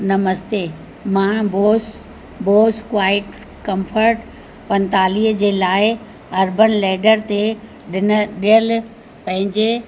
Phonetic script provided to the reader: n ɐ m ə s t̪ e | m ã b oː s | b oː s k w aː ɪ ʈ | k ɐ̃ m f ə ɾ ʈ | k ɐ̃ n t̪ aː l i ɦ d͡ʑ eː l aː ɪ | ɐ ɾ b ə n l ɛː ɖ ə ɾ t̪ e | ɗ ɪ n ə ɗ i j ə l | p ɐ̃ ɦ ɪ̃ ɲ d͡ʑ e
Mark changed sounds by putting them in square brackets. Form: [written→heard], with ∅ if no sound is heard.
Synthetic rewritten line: n ɐ m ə s t̪ e | m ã b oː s | b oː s k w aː ɪ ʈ | k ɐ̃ m f ə ɾ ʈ | [k→p] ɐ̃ n t̪ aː l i ɦ d͡ʑ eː l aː ɪ | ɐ ɾ b ə n l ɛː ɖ ə ɾ t̪ e | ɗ ɪ n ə ɗ i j ə l | p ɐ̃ ɦ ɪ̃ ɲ d͡ʑ e